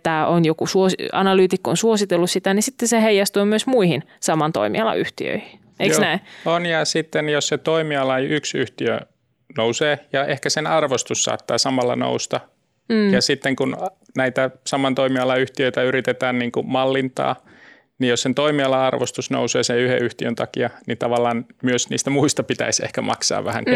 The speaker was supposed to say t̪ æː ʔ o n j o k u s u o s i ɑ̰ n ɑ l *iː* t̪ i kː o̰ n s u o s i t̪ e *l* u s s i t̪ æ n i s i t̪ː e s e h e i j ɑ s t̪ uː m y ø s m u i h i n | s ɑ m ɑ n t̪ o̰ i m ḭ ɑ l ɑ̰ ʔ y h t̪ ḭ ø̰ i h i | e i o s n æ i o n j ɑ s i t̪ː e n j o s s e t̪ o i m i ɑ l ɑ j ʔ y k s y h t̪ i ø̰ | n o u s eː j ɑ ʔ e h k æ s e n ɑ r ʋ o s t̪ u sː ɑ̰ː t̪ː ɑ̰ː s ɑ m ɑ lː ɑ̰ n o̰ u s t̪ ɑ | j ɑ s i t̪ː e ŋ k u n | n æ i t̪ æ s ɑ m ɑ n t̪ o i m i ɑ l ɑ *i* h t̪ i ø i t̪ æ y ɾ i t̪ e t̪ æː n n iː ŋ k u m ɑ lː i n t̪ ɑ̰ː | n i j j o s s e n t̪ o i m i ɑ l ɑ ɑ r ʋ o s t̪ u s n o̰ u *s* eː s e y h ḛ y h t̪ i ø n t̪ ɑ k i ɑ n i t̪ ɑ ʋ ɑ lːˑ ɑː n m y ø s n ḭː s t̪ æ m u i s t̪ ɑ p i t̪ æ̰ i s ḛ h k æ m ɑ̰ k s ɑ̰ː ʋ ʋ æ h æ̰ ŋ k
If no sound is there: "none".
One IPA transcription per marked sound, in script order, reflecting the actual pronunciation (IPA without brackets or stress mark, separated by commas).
yː, lː, y, s